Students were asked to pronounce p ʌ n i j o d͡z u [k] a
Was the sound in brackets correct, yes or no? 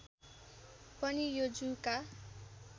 yes